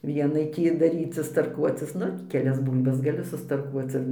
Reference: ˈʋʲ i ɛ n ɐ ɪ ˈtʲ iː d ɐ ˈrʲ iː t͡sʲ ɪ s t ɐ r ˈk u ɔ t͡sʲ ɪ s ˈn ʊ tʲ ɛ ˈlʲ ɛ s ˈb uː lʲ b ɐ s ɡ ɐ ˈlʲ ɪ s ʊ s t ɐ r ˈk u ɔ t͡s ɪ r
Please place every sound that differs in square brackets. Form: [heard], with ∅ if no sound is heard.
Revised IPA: ˈʋʲ i ɛ n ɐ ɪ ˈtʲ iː d ɐ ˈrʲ iː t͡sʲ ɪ s t ɐ r ˈk u ɔ t͡sʲ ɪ s ˈn ʊ [kʲ] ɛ ˈlʲ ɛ s ˈb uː lʲ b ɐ s ɡ ɐ ˈlʲ ɪ s ʊ s t ɐ r ˈk u ɔ t͡s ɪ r